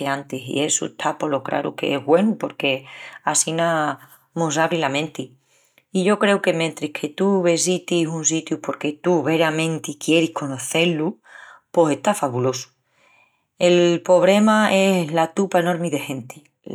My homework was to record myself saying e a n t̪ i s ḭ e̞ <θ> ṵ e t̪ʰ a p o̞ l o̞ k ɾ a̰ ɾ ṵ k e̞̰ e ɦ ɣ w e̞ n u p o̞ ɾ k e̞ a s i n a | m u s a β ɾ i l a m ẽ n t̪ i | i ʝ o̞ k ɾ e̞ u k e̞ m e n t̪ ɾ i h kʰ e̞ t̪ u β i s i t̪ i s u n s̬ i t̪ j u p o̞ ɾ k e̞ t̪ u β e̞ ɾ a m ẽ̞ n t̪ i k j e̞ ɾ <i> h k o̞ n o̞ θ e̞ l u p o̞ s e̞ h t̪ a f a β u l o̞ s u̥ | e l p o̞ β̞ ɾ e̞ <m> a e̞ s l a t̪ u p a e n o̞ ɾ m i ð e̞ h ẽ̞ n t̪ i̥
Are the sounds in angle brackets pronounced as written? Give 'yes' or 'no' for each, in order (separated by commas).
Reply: no, yes, yes